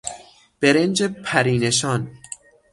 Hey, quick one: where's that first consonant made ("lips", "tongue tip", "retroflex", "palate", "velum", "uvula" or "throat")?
lips